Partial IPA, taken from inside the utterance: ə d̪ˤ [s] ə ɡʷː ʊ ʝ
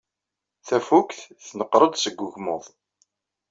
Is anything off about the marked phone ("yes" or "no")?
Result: no